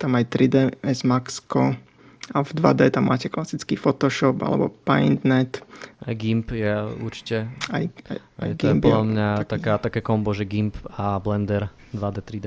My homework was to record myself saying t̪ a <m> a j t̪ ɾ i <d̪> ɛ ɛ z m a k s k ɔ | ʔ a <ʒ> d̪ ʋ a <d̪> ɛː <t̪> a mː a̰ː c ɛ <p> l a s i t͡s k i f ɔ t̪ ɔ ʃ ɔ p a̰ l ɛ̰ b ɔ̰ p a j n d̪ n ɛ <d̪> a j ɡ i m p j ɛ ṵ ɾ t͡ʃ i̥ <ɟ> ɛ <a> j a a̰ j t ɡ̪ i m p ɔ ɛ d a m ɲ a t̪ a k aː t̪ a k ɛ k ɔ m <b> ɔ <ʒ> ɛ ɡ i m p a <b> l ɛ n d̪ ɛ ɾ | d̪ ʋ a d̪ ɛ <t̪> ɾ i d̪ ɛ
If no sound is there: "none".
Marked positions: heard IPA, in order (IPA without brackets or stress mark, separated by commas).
m, d̪, v, d̪, t̪, k, t̪, c, a, b, ʒ, b, t̪